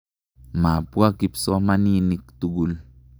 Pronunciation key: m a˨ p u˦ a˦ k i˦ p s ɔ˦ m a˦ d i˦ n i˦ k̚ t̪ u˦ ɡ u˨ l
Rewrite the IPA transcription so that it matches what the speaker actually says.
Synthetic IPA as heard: m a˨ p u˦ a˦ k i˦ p s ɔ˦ m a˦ n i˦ n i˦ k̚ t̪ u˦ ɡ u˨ l